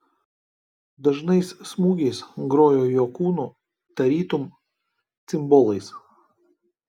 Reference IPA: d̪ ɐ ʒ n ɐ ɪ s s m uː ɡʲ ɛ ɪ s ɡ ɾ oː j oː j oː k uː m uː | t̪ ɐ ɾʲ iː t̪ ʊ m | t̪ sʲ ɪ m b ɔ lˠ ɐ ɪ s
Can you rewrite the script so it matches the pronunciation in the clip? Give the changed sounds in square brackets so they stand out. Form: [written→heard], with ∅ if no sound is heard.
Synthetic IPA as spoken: d̪ ɐ ʒ n ɐ ɪ s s m uː ɡʲ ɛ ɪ s ɡ ɾ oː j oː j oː k uː [m→n] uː | t̪ ɐ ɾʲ iː t̪ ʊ m | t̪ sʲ ɪ m b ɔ lˠ ɐ ɪ s